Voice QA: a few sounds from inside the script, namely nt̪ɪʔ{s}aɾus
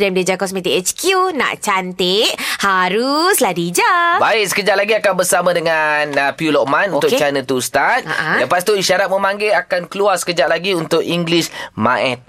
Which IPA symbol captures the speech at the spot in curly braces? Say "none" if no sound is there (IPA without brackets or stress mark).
h